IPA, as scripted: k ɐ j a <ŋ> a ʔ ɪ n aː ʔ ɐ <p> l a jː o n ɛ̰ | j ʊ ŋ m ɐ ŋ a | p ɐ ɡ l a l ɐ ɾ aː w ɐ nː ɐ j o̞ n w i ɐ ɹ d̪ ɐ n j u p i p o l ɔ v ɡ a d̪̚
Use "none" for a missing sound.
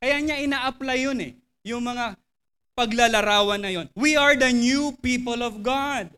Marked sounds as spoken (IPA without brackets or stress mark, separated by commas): ɲ, p